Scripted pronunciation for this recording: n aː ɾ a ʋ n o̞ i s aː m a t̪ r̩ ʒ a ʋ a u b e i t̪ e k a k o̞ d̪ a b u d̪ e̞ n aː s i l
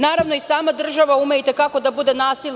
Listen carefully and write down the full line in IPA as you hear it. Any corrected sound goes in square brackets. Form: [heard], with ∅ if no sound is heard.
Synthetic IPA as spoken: n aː ɾ a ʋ n o̞ i s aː m a [d̪] r̩ ʒ a ʋ a u [m] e i t̪ e k a k o̞ d̪ a b u d̪ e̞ n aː s i l